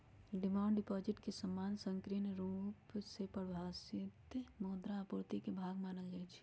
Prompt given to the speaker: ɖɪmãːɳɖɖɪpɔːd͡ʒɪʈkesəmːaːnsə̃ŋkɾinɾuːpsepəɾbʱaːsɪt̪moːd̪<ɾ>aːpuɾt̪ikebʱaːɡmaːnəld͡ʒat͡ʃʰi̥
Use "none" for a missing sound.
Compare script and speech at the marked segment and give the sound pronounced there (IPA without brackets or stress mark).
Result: ɾ